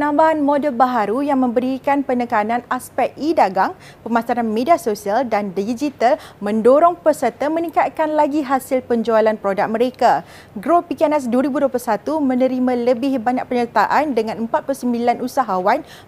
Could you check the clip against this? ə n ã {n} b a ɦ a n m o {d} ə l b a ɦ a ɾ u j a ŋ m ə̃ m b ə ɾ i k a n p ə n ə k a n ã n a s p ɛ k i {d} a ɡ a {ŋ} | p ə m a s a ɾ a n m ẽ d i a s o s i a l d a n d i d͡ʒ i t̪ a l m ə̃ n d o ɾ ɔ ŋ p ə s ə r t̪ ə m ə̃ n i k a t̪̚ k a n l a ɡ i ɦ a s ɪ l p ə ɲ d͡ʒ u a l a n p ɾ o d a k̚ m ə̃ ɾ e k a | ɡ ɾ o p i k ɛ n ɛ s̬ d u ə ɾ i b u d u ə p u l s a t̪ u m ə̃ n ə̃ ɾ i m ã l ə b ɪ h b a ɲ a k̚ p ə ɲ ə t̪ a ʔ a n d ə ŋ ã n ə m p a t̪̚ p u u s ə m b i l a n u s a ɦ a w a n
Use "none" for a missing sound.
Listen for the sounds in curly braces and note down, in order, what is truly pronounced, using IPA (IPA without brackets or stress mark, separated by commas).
m, d, d, ŋ